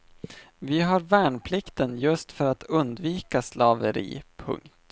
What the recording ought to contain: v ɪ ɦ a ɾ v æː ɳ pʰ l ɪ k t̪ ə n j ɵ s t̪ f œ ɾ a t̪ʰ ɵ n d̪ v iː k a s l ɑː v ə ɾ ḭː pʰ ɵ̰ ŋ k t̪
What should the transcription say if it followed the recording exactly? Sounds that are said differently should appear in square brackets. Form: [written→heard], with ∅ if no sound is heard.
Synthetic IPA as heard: v ɪ ɦ a ɾ v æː ɳ pʰ l ɪ k t̪ ə n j ɵ s t̪ f œ ɾ a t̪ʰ ɵ n d̪ v iː k a s l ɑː v ə ɾ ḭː pʰ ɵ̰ ŋ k t̪